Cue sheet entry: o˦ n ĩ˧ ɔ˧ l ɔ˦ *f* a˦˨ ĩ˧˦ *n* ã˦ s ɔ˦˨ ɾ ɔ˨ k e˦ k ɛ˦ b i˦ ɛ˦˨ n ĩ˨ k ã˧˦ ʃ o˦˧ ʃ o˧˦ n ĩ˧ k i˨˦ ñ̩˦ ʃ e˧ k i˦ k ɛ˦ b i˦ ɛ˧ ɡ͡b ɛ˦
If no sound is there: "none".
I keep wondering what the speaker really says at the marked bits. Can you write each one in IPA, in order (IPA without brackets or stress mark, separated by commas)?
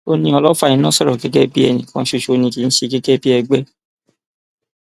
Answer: f, n